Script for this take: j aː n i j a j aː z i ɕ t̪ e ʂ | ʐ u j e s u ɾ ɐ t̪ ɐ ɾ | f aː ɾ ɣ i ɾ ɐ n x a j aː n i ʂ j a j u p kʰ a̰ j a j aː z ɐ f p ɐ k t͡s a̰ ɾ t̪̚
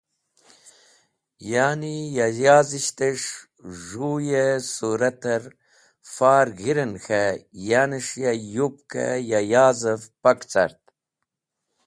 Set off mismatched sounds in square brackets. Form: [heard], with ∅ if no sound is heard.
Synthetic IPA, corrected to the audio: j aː n i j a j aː z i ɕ t̪ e ʂ | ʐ u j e s u ɾ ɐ t̪ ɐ ɾ | f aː ɾ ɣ i ɾ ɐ n x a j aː n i ʂ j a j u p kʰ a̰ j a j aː z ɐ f p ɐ k t͡s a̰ ɾ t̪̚